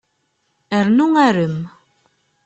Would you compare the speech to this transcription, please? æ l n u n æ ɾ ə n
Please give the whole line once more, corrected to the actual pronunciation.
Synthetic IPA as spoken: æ ɾ n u ŋ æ ɾ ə m

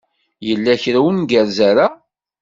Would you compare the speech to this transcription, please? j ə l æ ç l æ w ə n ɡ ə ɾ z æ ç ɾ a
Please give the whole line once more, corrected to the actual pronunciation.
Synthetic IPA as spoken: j ə lː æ ç ɾ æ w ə n ɡ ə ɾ z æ ɾ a

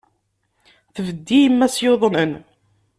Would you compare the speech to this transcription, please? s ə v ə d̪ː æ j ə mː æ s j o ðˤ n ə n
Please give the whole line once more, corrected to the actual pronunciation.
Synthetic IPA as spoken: θ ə v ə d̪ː i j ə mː æ s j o ðˤ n ə n

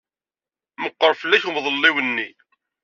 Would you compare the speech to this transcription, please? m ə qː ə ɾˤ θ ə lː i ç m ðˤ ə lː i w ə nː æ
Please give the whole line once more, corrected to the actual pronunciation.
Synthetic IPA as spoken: m ə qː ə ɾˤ f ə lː æ ç m ðˤ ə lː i w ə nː i

